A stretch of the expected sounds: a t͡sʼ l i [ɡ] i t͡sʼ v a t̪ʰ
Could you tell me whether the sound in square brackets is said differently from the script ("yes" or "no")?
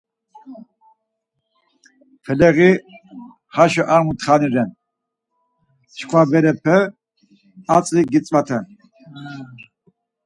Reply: no